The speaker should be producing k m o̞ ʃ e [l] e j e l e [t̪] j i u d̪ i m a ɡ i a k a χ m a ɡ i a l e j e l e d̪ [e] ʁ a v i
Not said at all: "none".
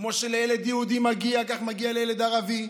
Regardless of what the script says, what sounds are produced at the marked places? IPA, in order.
l, d̪, a

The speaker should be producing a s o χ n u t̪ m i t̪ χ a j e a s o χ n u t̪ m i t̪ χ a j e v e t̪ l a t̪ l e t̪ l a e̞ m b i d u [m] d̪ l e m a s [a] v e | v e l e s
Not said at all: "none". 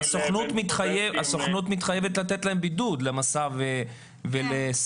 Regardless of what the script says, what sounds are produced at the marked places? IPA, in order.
none, a

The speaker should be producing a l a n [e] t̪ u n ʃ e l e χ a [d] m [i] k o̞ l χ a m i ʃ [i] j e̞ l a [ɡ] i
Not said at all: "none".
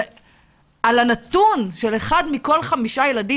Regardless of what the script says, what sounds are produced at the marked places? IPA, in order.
a, d, i, a, d

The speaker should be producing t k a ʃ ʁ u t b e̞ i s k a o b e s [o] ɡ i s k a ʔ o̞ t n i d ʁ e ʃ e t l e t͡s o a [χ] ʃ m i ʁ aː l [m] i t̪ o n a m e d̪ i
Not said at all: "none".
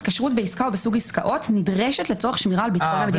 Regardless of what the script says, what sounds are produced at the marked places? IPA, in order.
u, χ, b

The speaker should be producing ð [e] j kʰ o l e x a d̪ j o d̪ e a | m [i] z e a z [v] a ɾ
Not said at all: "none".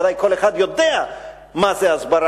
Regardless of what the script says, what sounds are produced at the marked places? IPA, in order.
a, a, b

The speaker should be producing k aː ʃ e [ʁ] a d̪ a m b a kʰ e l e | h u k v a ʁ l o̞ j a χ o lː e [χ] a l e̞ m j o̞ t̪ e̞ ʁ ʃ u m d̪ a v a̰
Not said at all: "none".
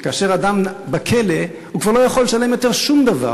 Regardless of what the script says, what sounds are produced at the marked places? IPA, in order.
ʁ, ʃ

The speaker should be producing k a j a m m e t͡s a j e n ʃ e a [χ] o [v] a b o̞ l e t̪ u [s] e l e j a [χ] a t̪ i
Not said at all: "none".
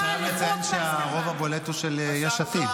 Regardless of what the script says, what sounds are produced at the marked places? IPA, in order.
ʁ, v, ʃ, ʃ

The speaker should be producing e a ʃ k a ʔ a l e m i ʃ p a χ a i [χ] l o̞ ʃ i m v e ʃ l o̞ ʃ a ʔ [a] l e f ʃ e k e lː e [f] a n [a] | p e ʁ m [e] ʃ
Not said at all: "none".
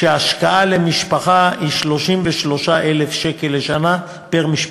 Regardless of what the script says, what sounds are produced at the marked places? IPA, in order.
ʃ, e, ʃ, a, i

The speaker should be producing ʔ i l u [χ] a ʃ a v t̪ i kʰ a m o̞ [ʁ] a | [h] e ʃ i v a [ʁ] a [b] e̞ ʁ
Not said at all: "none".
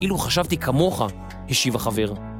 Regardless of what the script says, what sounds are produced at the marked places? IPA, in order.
χ, χ, h, χ, v

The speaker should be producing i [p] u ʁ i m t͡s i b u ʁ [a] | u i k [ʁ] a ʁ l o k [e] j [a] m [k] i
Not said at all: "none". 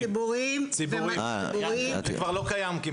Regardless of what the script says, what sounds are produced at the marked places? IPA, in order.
b, i, v, a, a, k

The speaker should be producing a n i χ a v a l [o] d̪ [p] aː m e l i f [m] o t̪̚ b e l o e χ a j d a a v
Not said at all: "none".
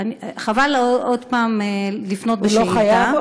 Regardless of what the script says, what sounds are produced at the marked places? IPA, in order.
o, p, n

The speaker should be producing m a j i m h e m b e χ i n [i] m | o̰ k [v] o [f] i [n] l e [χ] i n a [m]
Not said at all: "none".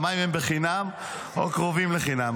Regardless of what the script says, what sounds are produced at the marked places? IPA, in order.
a, ʁ, v, m, χ, m

